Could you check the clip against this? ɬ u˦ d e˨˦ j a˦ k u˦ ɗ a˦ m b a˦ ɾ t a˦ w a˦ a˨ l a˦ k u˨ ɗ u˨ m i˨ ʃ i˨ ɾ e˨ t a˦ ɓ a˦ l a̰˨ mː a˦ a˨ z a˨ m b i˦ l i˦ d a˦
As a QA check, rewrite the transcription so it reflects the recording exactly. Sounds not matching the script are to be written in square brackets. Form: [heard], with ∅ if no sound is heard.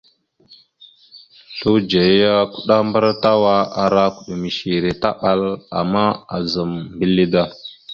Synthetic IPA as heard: ɬ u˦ [d͡ʒ] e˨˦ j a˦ k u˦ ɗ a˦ m b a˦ ɾ t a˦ w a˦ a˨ [ɾ] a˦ k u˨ ɗ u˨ m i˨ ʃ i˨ ɾ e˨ t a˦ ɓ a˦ l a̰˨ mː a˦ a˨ z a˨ m b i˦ l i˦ d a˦